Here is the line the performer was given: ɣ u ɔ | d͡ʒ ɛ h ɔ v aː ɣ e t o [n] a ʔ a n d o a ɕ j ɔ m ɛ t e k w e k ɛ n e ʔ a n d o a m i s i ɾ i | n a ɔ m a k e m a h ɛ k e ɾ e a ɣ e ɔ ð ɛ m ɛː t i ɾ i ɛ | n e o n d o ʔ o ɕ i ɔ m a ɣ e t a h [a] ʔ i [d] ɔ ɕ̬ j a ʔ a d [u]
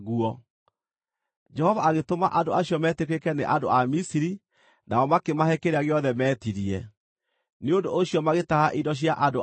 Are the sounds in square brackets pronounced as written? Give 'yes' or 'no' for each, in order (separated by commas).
no, yes, yes, no